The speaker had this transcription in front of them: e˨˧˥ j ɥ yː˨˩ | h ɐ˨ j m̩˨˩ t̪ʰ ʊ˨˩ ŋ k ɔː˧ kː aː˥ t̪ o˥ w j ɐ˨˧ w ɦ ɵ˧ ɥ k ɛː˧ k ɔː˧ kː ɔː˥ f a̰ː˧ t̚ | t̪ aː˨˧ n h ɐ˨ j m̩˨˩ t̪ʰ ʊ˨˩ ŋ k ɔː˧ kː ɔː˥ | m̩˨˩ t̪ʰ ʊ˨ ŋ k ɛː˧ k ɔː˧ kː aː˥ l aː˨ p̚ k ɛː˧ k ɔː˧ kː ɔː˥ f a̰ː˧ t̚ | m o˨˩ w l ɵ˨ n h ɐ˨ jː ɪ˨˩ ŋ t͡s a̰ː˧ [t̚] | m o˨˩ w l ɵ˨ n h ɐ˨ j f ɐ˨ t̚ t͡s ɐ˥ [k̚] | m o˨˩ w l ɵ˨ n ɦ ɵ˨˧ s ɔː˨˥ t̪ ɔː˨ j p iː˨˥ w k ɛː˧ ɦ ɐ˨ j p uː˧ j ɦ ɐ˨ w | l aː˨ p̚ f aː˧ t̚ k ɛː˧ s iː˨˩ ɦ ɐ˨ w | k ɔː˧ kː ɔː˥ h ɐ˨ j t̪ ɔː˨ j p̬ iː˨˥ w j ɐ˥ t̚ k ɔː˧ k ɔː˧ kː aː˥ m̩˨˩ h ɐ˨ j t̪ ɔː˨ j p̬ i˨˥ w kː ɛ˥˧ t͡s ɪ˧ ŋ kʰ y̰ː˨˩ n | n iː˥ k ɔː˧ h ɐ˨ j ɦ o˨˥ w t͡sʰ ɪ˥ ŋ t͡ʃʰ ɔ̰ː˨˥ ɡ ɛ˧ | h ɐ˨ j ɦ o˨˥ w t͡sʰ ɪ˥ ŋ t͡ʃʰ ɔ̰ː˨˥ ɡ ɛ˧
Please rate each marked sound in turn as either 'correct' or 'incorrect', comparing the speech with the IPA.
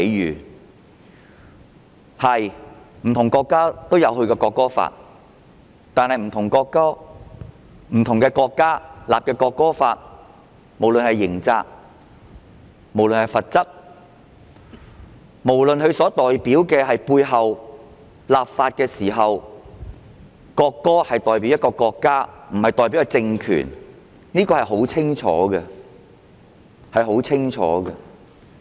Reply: incorrect, correct

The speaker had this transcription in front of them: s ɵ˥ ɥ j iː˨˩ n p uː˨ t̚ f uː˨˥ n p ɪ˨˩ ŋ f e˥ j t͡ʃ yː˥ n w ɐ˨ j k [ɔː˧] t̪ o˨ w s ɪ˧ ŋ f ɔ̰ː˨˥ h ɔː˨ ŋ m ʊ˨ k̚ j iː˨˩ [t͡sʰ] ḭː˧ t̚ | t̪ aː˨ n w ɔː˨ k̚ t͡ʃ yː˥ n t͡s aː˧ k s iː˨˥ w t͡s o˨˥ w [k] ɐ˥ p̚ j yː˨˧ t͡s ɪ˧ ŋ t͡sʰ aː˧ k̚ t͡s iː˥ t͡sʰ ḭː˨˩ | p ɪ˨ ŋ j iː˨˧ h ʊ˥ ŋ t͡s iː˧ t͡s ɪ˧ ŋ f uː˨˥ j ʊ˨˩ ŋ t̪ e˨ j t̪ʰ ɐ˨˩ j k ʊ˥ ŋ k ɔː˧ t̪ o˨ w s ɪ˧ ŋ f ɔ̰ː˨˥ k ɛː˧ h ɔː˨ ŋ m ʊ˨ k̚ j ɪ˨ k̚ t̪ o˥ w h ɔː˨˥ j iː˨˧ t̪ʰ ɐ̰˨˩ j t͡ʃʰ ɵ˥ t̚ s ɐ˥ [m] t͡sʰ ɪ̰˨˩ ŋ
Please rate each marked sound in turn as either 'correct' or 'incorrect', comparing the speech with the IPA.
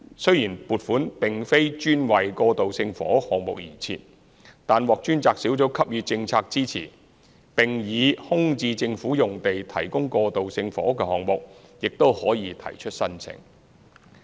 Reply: correct, correct, incorrect, incorrect

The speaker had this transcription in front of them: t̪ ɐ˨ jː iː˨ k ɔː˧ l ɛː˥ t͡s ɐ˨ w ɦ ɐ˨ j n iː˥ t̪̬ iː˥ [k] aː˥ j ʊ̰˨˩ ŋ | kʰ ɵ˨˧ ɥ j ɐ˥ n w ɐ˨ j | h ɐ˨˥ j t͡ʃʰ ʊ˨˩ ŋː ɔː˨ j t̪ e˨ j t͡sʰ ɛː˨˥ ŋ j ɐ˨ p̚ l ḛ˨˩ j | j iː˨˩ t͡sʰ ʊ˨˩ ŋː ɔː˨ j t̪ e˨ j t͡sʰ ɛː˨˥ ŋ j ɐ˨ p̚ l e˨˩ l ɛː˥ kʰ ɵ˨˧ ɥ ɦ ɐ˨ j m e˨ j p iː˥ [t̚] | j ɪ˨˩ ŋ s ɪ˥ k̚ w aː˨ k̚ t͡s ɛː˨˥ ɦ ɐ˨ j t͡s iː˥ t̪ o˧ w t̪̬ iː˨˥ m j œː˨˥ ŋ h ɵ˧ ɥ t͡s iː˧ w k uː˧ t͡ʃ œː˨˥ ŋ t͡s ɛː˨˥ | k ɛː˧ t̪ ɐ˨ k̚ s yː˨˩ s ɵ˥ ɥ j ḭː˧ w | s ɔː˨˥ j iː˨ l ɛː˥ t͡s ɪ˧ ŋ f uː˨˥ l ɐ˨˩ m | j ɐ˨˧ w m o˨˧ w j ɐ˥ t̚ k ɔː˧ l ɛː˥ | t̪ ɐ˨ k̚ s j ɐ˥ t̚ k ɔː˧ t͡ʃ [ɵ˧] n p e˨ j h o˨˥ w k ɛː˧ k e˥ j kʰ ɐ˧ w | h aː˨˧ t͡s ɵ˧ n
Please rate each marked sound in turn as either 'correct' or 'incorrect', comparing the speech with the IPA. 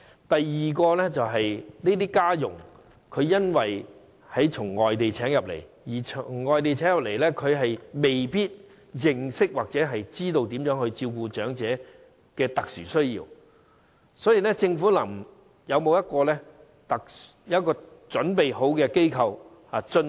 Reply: correct, correct, incorrect

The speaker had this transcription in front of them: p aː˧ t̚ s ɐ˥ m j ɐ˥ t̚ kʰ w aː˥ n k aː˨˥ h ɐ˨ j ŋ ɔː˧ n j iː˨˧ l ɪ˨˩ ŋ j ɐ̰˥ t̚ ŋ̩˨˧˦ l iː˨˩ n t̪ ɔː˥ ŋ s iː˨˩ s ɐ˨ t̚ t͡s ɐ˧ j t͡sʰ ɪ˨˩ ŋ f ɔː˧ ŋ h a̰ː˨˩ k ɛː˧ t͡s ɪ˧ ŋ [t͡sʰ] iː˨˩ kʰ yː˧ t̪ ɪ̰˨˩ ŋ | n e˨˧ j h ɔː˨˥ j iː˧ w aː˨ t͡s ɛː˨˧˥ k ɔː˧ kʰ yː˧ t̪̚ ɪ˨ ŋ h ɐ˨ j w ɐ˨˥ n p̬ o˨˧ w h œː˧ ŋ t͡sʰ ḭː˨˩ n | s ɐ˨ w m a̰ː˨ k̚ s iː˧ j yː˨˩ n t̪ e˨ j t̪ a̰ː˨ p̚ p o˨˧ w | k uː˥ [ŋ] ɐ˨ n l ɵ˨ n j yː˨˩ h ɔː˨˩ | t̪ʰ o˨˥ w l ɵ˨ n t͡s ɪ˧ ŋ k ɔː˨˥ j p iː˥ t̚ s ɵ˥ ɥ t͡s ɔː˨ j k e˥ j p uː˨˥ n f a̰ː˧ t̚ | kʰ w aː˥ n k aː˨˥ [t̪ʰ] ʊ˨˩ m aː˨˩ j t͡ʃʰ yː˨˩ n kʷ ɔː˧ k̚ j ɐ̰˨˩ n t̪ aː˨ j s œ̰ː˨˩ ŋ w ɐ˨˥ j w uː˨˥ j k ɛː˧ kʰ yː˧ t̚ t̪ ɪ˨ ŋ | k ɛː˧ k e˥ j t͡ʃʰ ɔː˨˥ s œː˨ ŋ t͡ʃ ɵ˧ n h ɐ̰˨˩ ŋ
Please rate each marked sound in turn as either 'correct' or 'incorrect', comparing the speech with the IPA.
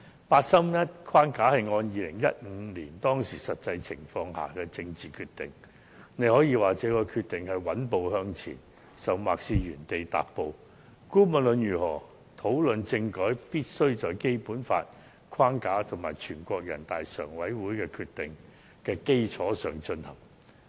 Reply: incorrect, incorrect, correct

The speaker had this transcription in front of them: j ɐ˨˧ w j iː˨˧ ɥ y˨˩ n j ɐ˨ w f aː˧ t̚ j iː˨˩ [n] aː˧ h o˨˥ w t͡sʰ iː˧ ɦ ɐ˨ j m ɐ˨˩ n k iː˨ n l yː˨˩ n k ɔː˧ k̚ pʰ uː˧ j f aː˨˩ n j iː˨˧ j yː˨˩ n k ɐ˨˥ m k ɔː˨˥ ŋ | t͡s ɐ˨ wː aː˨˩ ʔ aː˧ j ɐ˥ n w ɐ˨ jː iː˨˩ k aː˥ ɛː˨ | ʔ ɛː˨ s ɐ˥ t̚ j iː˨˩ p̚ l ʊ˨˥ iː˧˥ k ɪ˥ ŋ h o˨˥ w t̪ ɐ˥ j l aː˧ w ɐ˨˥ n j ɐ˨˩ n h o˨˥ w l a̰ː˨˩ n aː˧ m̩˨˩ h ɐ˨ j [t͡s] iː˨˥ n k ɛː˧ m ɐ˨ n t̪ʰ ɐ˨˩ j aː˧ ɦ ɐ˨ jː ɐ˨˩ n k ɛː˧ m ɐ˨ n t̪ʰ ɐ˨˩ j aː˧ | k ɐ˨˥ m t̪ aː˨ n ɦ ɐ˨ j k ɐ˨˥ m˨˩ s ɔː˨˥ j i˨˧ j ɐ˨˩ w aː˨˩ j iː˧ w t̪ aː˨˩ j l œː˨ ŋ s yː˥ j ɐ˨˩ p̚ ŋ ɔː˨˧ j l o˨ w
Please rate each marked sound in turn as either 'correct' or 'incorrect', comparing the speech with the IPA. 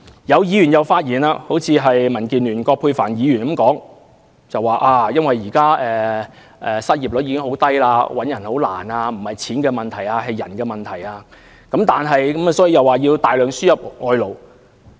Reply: correct, incorrect

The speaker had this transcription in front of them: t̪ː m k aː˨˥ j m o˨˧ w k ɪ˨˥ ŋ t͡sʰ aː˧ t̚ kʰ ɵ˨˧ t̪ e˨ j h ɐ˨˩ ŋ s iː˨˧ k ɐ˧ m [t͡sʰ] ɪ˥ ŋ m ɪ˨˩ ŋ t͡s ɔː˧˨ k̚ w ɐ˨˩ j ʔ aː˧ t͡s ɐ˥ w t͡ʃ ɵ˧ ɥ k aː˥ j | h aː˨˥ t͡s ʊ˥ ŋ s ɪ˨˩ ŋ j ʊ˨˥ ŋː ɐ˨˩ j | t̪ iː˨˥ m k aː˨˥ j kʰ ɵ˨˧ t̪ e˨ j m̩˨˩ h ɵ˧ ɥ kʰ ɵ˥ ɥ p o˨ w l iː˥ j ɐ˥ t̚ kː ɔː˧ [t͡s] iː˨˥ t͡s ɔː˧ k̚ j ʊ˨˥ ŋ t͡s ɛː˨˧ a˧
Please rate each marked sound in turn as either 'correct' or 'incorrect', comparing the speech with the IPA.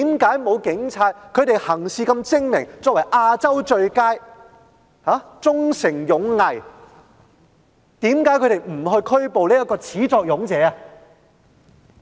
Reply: incorrect, incorrect

